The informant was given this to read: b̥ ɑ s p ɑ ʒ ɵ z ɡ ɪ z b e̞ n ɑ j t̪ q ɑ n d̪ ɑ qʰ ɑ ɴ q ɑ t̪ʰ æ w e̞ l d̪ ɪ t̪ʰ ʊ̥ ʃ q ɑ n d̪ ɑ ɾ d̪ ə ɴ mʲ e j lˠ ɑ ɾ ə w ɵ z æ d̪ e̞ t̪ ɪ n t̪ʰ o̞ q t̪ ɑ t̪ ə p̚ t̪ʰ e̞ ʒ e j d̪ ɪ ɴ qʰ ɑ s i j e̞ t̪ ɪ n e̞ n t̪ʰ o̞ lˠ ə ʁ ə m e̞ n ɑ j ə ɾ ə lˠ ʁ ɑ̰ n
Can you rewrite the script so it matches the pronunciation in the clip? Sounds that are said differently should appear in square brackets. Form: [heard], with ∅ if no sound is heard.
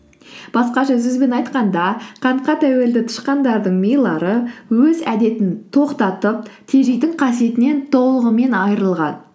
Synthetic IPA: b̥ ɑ s [q] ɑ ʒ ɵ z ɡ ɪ z b e̞ n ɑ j t̪ q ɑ n d̪ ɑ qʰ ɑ ɴ q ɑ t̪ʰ æ w e̞ l d̪ ɪ t̪ʰ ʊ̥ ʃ q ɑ n d̪ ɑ ɾ d̪ ə ɴ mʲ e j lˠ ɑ ɾ ə w ɵ z æ d̪ e̞ t̪ ɪ n t̪ʰ o̞ q t̪ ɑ t̪ ə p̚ t̪ʰ e̞ ʒ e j d̪ ɪ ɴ qʰ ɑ s i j e̞ t̪ ɪ n e̞ n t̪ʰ o̞ lˠ ə ʁ ə m e̞ n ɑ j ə ɾ ə lˠ ʁ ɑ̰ n

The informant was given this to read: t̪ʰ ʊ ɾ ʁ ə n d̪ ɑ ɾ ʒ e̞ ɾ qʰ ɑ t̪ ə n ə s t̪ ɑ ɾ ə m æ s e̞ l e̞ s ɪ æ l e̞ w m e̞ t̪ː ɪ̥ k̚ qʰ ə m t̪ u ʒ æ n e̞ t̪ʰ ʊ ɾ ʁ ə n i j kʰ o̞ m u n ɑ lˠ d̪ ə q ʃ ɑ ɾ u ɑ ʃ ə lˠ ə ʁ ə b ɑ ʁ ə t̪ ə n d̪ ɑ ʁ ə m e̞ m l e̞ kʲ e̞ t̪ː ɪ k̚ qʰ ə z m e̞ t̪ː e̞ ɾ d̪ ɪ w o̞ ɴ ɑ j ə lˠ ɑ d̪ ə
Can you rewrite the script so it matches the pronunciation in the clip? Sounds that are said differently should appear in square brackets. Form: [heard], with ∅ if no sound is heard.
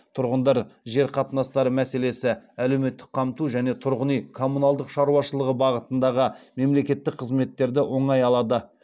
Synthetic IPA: t̪ʰ ʊ ɾ ʁ ə n d̪ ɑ ɾ ʒ e̞ ɾ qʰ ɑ t̪ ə n [ɑ] s t̪ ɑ ɾ ə m æ s e̞ l e̞ s ɪ æ l e̞ w m e̞ t̪ː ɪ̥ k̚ qʰ [ɑ] m t̪ u ʒ æ n e̞ t̪ʰ ʊ ɾ ʁ ə n i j kʰ o̞ m u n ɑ lˠ d̪ ə q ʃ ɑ ɾ u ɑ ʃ ə lˠ ə ʁ ə b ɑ ʁ ə t̪ ə n d̪ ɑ ʁ ə m e̞ m l e̞ kʲ e̞ t̪ː ɪ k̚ qʰ ə z m e̞ t̪ː e̞ ɾ d̪ ɪ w o̞ ɴ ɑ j [ɑ] lˠ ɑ d̪ ə

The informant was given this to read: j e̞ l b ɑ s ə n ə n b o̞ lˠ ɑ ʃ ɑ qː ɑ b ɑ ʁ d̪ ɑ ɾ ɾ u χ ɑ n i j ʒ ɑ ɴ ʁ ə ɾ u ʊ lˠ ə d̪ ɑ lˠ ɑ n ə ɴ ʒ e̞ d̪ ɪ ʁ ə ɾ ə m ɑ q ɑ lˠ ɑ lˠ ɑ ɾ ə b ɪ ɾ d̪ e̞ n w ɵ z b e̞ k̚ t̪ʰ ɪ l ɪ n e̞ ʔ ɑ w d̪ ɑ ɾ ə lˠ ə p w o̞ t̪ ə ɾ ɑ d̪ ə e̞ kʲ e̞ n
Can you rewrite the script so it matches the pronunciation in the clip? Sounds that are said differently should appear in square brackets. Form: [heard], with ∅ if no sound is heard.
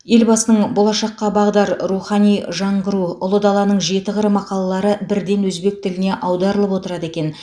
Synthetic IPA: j e̞ l b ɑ s ə n ə [ɴ] b o̞ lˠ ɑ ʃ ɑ qː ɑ b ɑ ʁ d̪ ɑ ɾ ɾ u χ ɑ n i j ʒ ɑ ɴ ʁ ə ɾ u ʊ lˠ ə d̪ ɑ lˠ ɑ n ə ɴ ʒ e̞ [t̪] ɪ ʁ ə ɾ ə m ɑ q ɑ lˠ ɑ lˠ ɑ ɾ ə b ɪ ɾ d̪ e̞ n w ɵ z b e̞ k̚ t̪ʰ ɪ l ɪ n e̞ ʔ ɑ w d̪ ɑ ɾ ə lˠ ə p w o̞ t̪ ə ɾ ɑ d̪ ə e̞ kʲ e̞ n

